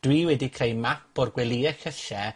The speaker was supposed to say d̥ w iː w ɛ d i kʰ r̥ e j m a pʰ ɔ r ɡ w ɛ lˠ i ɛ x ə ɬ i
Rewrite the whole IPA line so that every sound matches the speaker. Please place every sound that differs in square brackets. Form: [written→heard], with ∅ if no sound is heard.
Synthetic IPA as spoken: d̥ w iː w ɛ d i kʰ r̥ e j m a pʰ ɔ r ɡ w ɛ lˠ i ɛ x ə ɬ [i→ɛ]